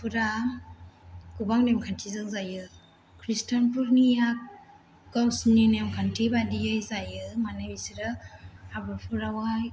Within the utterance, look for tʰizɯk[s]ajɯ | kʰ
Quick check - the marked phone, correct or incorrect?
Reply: incorrect